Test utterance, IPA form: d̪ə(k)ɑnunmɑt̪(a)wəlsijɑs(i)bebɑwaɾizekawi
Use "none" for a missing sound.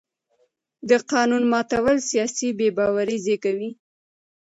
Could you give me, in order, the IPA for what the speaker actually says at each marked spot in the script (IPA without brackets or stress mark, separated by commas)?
q, a, i